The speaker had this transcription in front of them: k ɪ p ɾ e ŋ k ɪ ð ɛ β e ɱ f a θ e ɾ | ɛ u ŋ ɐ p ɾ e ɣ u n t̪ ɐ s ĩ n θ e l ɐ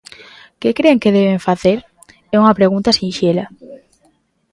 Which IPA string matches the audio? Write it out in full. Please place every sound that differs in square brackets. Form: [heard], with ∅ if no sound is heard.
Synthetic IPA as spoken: k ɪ [k] ɾ e ŋ k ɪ ð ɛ β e ɱ f a θ e ɾ | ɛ u ŋ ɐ p ɾ e ɣ u n t̪ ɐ s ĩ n [ʃ] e l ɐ